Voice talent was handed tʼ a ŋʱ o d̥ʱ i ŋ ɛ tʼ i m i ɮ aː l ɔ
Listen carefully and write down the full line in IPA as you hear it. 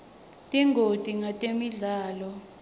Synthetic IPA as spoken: tʼ i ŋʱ o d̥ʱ i ŋ a tʼ e m i ɮ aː l ɔ